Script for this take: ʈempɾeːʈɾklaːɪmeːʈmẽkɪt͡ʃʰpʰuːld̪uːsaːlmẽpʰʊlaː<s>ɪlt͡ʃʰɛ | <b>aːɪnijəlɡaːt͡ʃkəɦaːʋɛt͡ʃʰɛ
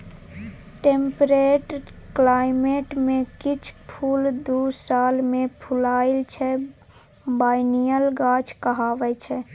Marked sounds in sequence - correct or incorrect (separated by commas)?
incorrect, correct